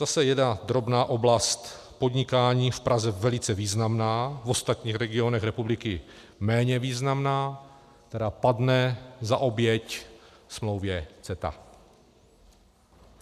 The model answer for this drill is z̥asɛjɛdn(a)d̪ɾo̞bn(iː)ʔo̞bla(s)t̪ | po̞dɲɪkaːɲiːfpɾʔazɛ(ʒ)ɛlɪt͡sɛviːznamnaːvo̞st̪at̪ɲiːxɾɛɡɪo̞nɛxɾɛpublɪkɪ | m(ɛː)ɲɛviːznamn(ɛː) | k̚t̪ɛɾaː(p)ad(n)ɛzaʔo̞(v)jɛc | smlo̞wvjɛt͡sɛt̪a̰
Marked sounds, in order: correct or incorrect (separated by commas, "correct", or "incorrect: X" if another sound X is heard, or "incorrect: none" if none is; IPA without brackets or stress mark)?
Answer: correct, incorrect: aː, correct, incorrect: v, correct, incorrect: aː, correct, correct, incorrect: b